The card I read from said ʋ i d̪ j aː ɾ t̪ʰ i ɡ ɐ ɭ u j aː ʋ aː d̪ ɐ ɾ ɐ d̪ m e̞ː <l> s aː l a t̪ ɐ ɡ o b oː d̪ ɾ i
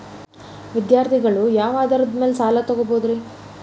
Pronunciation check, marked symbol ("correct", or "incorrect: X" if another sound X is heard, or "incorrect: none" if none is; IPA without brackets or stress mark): correct